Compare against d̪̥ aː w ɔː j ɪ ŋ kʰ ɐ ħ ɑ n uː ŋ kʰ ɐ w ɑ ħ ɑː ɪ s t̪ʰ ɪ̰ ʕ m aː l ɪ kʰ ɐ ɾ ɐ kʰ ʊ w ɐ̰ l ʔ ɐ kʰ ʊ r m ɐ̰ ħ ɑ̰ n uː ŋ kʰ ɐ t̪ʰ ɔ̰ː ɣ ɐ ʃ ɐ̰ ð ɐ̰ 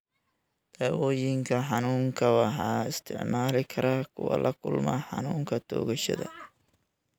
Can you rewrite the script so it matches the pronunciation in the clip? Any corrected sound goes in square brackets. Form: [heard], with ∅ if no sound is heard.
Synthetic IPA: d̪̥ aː w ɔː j ɪ ŋ kʰ ɐ ħ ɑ n uː ŋ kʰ ɐ w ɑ ħ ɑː ɪ s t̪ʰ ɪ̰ ʕ m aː l ɪ kʰ ɐ ɾ ɐ kʰ ʊ w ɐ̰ l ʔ ɐ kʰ ʊ [l] m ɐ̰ ħ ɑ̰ n uː ŋ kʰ ɐ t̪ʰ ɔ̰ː ɣ ɐ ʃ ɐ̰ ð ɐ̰